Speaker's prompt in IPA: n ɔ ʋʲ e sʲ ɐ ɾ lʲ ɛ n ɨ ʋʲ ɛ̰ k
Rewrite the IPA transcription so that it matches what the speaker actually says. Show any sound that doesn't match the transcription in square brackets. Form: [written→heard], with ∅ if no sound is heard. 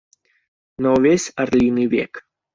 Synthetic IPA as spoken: n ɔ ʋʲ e sʲ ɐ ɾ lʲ [ɛ→i] n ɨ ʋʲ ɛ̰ k